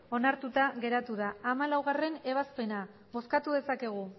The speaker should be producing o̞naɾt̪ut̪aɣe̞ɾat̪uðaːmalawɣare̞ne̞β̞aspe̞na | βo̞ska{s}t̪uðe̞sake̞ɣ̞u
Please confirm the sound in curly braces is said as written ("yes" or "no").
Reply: no